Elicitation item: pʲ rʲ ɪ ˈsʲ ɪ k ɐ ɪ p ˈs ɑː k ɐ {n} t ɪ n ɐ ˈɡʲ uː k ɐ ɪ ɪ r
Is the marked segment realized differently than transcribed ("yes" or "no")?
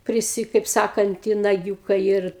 no